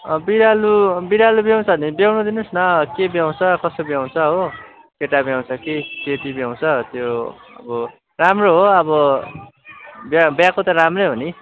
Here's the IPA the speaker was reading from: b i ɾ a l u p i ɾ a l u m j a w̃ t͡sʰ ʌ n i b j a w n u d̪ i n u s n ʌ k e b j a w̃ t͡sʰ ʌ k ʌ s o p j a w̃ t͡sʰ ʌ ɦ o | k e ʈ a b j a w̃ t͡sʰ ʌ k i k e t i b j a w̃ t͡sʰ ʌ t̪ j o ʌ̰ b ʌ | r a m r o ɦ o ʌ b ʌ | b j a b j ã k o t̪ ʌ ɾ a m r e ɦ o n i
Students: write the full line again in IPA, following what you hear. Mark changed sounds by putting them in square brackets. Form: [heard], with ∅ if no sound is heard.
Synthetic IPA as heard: b i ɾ a l u [b] i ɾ a l u [b] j a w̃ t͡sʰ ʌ n i b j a w n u d̪ i n u s n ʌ k e b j a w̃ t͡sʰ ʌ k ʌ s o [b] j a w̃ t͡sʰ ʌ ɦ o | k e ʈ a b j a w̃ t͡sʰ ʌ k i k e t i b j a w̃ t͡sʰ ʌ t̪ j o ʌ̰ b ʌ | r a m r o ɦ o ʌ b ʌ | b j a b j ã k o t̪ ʌ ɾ a m r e ɦ o n i